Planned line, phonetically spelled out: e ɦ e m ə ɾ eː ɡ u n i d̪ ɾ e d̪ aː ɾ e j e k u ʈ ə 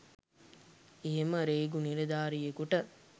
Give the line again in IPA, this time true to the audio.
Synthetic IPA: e ɦ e m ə ɾ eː ɡ u n i ɾ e d̪ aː ɾ i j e k u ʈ ə

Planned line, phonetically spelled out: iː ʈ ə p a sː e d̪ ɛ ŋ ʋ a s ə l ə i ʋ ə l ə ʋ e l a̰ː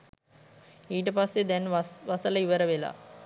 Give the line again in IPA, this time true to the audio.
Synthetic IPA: iː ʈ ə p a sː e d̪ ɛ n ʋ a s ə l ə i ʋ ə ɾ ə ʋ e l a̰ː

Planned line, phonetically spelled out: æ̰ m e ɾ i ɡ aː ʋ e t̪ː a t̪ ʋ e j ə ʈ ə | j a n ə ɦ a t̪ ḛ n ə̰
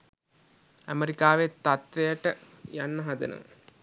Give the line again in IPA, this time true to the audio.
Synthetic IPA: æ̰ m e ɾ i k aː ʋ e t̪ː a t̪ ʋ e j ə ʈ ə | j a nː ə ɦ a d̪ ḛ n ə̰

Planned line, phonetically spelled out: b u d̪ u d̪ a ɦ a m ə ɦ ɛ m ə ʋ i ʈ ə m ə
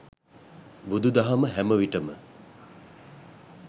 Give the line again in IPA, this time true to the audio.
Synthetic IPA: b u d̪ u d̪ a ɦ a m ə ɦ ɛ m ə ʋ i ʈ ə m ə

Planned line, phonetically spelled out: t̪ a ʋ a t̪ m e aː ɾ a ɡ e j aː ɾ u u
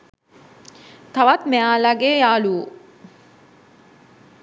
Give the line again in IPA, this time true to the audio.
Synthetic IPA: t̪ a ʋ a t̪ m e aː l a ɡ e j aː l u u

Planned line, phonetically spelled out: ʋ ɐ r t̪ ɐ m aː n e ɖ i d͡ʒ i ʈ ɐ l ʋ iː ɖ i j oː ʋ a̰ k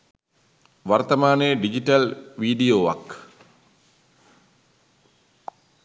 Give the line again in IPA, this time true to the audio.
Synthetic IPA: ʋ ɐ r t̪ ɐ m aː n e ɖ i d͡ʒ i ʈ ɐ l ʋ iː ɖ i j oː ʋ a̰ k

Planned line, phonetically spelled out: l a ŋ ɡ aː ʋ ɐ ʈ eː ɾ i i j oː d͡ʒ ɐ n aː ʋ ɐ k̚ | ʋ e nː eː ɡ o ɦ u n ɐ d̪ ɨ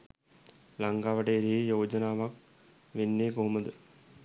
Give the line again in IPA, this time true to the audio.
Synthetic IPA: l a ŋ ɡ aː ʋ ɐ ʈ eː ɾ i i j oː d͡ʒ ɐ n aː ʋ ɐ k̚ | ʋ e nː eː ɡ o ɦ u m ɐ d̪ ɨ

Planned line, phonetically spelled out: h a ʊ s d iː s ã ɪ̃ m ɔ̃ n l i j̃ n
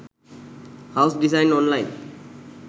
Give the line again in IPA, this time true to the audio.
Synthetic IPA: h a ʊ s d i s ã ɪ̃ n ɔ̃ n l a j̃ n

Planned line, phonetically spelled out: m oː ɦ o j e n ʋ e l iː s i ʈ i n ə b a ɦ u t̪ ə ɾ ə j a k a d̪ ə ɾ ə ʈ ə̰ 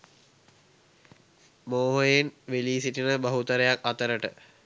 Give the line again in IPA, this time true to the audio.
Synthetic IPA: m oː ɦ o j e n ʋ e l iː s i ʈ i n ə b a ɦ u t̪ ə ɾ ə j a k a t̪ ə ɾ ə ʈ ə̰

